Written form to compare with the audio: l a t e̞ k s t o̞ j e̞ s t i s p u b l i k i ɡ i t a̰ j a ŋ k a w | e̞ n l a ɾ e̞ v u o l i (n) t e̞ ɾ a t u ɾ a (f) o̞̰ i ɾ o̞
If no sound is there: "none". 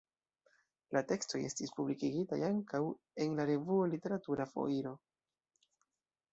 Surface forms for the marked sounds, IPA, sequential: none, f

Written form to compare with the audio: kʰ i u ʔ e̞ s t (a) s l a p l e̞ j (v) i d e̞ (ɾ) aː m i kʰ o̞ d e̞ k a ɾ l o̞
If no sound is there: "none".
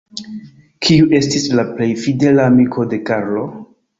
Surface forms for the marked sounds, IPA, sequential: i, f, l

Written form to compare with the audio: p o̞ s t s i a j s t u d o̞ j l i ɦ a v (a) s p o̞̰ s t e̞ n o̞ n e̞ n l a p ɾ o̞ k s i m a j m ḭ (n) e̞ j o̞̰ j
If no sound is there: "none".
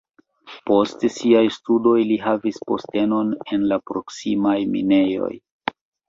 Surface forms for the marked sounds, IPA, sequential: i, n

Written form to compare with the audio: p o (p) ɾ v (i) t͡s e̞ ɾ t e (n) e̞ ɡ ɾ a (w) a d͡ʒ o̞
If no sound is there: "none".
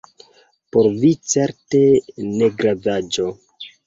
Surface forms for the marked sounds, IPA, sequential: none, i, n, v

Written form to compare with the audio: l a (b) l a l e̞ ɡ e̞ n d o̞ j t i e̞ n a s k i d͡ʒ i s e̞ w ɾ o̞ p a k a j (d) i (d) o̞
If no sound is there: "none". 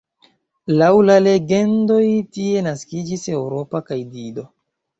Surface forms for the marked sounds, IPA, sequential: w, d, d

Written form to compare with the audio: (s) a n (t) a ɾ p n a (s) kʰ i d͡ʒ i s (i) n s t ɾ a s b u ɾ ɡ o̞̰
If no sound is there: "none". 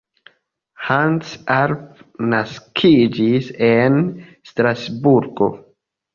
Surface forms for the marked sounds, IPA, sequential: h, s, s, e

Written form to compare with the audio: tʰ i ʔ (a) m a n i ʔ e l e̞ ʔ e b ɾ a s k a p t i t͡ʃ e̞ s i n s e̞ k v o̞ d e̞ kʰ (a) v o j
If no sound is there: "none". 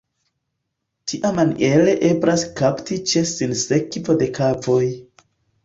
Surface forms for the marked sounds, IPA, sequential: a, a

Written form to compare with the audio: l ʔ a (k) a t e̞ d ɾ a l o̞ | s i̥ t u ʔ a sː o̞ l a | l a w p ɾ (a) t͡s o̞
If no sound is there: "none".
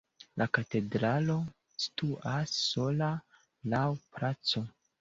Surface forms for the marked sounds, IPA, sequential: k, a

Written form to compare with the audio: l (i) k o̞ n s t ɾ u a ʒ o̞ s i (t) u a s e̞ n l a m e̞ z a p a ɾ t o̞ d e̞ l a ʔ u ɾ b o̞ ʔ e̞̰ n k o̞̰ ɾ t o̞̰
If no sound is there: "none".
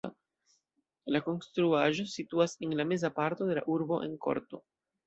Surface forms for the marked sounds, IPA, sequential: a, t

